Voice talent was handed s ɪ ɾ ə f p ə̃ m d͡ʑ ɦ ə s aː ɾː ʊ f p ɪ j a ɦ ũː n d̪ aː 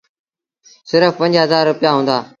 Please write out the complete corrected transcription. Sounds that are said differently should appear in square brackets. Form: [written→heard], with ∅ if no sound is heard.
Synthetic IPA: s ɪ ɾ ə f p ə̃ [m→ɲ] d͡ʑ ɦ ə [s→z] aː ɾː ʊ [f→∅] p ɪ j a ɦ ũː n d̪ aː